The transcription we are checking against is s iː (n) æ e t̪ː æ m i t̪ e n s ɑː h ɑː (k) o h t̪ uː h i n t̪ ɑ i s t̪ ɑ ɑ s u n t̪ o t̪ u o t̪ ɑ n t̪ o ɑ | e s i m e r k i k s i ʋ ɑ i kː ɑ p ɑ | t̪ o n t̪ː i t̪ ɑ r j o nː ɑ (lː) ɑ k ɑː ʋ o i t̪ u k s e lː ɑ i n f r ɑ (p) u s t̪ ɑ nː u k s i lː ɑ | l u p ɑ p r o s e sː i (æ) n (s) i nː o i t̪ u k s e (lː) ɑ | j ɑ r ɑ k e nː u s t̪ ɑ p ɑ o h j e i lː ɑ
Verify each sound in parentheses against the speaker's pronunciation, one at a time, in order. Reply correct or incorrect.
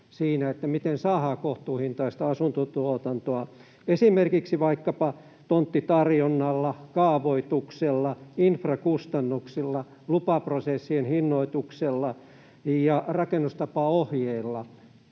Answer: correct, correct, correct, incorrect: k, incorrect: e, incorrect: h, correct

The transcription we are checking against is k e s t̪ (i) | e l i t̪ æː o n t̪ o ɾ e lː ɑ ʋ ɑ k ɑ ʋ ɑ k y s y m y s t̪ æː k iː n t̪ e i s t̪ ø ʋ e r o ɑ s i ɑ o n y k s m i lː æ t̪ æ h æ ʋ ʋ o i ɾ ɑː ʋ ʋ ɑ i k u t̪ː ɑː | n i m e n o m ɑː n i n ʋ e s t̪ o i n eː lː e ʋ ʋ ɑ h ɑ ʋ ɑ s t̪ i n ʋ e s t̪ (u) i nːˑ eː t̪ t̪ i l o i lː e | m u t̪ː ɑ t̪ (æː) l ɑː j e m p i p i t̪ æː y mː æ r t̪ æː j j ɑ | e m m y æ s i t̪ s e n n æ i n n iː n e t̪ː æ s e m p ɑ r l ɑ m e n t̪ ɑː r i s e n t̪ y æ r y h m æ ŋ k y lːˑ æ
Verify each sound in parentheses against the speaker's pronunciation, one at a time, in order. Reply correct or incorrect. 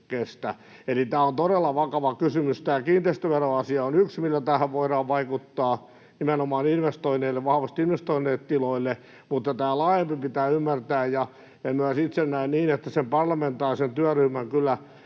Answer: incorrect: æ, incorrect: o, correct

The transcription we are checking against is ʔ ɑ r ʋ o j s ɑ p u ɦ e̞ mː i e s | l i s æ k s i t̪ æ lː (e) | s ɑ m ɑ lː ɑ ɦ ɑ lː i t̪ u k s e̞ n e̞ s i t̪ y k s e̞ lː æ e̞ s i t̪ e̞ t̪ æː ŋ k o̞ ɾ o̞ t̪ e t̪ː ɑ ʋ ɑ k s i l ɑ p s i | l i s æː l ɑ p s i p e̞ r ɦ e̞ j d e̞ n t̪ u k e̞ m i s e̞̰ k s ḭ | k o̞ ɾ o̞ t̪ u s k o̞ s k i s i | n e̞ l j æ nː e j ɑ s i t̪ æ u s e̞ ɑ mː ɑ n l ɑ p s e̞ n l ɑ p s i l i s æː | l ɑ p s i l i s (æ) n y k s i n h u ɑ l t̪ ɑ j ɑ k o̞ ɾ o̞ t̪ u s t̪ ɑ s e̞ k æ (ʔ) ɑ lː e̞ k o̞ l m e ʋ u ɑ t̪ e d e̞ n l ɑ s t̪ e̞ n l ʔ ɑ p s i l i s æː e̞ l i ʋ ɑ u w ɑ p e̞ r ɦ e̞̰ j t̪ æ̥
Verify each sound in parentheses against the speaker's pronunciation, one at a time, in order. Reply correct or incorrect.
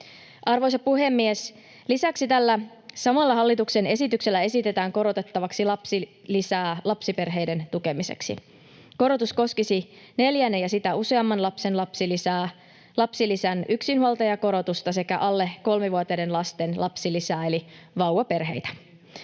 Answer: incorrect: æ, correct, correct

